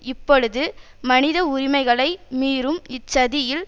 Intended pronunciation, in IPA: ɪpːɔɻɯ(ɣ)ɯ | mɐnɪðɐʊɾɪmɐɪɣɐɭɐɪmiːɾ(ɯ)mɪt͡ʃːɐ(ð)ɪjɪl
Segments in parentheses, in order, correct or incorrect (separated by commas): incorrect, correct, correct